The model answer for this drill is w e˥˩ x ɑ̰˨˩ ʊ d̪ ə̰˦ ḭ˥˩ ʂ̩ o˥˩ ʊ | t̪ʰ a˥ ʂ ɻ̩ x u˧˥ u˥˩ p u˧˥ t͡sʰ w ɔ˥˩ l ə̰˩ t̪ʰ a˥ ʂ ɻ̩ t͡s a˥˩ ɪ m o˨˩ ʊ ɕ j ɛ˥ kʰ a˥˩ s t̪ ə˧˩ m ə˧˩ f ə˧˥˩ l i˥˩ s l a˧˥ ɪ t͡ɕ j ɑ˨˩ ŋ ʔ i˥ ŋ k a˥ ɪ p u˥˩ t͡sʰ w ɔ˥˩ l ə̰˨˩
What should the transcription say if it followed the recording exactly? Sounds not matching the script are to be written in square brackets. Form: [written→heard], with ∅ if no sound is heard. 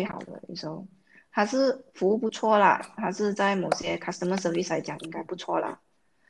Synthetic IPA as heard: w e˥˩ x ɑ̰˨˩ ʊ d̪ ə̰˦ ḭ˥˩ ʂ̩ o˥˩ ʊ | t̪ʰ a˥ ʂ ɻ̩ [x→f] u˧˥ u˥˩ p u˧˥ t͡sʰ w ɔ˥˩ l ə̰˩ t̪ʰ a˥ ʂ ɻ̩ t͡s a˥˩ ɪ m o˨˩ ʊ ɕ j ɛ˥ kʰ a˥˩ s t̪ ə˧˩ m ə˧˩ [f→s] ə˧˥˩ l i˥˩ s l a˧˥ ɪ t͡ɕ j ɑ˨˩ ŋ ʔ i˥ ŋ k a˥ ɪ p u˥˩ t͡sʰ w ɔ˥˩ l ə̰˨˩